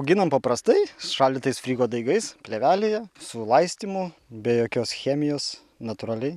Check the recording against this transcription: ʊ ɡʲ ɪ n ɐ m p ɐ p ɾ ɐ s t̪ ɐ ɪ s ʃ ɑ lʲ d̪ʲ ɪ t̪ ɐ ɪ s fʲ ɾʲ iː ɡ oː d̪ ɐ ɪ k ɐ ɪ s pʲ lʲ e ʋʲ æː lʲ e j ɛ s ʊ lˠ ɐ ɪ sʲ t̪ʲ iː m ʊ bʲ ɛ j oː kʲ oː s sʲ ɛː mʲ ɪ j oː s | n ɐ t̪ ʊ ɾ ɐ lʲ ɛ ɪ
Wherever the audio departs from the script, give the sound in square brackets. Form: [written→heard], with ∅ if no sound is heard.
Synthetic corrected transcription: ʊ ɡʲ ɪ n ɐ m p ɐ p ɾ ɐ s t̪ ɐ ɪ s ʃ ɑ lʲ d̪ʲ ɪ t̪ ɐ ɪ s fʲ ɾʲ iː ɡ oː d̪ ɐ ɪ [k→ɡ] ɐ ɪ s pʲ lʲ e ʋʲ æː lʲ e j ɛ s ʊ lˠ ɐ ɪ sʲ t̪ʲ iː m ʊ bʲ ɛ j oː kʲ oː s [sʲ→xʲ] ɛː mʲ ɪ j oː s | n ɐ t̪ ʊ ɾ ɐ lʲ ɛ ɪ